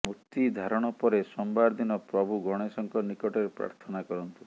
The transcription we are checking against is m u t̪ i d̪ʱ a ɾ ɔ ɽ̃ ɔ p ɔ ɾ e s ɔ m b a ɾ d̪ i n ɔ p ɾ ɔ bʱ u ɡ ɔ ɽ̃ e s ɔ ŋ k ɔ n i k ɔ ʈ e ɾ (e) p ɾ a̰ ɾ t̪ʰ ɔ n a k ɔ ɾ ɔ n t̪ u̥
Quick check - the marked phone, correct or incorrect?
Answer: correct